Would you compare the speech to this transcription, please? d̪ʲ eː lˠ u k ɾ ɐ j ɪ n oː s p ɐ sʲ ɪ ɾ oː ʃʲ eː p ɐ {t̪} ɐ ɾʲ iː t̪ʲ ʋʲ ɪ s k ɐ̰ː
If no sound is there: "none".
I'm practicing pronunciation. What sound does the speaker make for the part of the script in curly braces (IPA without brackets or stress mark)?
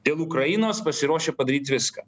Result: d̪